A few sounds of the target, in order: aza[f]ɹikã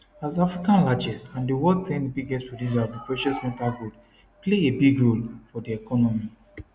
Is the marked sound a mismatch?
no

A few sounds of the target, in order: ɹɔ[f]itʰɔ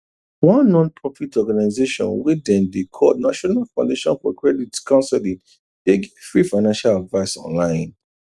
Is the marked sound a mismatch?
no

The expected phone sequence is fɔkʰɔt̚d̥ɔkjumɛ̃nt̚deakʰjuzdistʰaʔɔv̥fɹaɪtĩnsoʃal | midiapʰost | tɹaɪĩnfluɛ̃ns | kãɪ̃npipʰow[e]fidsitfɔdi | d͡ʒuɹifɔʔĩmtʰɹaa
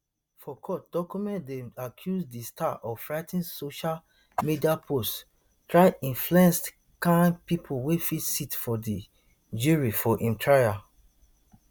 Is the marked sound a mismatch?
no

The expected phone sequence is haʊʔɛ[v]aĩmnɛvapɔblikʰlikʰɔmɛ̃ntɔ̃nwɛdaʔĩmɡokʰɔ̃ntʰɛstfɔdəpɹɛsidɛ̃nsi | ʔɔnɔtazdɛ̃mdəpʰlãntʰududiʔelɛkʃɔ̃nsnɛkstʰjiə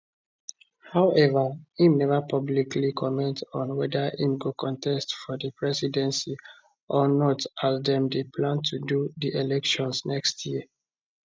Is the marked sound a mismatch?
no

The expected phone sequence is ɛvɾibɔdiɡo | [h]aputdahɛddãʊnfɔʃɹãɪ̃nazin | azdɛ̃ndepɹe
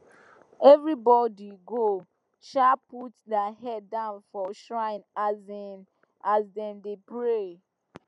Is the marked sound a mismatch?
yes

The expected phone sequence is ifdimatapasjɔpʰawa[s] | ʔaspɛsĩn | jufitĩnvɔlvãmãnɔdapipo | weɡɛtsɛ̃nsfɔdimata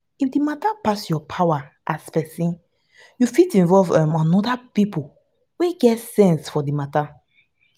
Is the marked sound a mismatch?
yes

